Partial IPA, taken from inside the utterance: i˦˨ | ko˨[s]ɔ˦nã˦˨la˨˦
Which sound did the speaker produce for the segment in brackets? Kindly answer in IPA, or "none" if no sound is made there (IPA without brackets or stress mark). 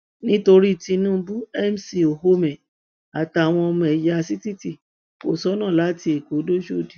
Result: s